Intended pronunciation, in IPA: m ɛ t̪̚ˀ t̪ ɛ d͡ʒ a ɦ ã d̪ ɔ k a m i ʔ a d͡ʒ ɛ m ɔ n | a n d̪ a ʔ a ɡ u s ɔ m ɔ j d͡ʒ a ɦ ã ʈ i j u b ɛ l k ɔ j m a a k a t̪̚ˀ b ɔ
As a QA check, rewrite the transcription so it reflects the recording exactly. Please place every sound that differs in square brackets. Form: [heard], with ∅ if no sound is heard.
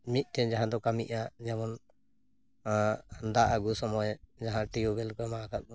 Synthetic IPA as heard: m [i] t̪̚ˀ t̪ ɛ d͡ʒ a ɦ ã d̪ ɔ k a m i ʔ a d͡ʒ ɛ m ɔ n | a n d̪ a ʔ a ɡ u s ɔ m ɔ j d͡ʒ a ɦ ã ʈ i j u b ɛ l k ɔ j m a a k a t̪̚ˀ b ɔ